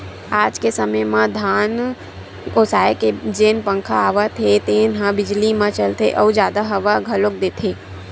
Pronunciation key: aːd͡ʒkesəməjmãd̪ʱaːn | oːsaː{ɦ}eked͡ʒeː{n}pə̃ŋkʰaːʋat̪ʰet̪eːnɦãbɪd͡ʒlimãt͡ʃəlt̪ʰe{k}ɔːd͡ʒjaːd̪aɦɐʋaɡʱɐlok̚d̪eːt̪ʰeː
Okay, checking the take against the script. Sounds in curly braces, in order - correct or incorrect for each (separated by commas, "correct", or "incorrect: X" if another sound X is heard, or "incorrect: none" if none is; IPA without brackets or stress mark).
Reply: incorrect: none, correct, incorrect: ʔ